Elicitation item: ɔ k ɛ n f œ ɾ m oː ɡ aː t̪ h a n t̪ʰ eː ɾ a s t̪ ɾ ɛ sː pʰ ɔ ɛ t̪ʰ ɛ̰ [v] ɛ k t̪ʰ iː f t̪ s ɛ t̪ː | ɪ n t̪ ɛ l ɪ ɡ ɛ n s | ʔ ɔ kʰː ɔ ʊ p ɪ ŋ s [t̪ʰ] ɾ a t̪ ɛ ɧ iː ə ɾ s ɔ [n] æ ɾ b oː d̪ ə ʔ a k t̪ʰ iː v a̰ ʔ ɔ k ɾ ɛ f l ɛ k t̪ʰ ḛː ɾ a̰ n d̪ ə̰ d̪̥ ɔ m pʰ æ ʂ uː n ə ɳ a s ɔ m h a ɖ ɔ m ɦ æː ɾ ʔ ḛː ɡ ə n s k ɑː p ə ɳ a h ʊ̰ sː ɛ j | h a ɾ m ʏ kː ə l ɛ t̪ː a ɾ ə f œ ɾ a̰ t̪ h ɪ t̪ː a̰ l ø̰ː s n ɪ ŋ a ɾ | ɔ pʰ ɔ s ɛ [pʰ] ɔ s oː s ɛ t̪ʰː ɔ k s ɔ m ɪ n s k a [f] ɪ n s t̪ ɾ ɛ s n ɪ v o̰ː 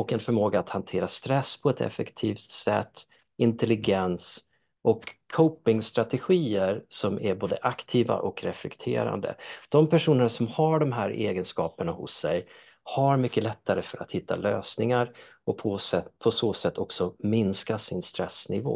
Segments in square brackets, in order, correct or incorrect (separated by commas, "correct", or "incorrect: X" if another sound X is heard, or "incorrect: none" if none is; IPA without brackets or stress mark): incorrect: f, incorrect: t̪, incorrect: m, correct, incorrect: s